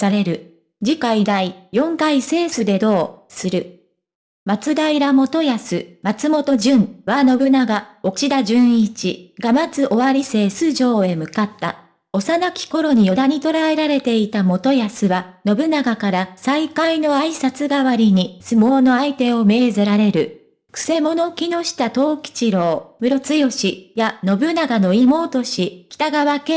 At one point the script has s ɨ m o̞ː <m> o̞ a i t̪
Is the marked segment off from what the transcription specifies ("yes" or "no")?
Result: yes